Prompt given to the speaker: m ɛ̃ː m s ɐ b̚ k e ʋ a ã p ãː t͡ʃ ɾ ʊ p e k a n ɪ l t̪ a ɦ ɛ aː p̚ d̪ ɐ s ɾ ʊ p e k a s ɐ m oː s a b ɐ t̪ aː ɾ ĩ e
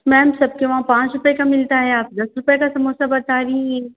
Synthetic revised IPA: m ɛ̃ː m s ɐ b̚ k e ʋ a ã p ãː t͡ʃ ɾ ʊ p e k a m ɪ l t̪ a ɦ ɛ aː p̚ d̪ ɐ s ɾ ʊ p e k a s ɐ m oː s a b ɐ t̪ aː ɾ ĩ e